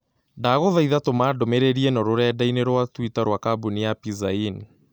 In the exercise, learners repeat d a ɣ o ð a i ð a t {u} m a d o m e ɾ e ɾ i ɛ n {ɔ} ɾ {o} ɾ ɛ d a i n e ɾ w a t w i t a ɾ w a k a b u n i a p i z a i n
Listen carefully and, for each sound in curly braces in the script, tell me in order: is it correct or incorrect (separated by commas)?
incorrect, correct, correct